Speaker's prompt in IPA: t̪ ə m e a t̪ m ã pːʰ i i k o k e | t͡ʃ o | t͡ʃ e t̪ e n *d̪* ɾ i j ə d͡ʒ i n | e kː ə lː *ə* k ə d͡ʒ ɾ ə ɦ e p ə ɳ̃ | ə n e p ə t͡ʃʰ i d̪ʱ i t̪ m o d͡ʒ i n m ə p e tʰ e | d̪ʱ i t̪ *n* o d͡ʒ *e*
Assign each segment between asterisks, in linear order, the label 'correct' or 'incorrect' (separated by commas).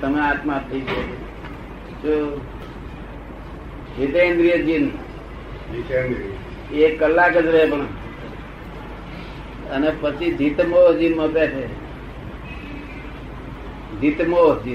correct, incorrect, incorrect, incorrect